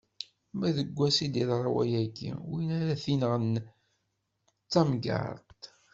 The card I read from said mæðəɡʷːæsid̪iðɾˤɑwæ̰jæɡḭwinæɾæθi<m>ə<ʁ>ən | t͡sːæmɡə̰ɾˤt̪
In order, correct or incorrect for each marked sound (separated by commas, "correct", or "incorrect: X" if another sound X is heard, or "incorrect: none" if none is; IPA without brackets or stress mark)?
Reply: incorrect: n, correct